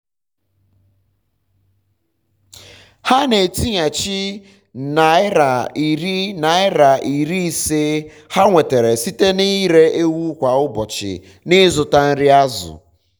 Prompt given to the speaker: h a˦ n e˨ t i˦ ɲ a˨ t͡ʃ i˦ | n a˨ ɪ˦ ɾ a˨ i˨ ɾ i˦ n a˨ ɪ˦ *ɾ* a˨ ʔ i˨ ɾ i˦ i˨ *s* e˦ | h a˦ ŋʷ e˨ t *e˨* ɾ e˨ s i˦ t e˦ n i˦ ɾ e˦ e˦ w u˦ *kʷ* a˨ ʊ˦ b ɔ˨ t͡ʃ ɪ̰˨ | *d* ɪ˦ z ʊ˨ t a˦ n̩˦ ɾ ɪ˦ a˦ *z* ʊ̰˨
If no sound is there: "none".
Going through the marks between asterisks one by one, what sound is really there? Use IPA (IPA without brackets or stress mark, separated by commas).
ɾ, s, e˨, kʷ, n, z